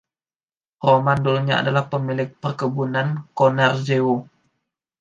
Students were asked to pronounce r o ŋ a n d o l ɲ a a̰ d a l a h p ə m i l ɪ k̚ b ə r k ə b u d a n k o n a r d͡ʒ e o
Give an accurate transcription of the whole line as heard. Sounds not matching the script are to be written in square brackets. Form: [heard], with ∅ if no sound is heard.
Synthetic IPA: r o [m] a n d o l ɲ a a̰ d a l a h p ə m i l ɪ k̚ [p] ə r k ə b u [n] a n k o n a r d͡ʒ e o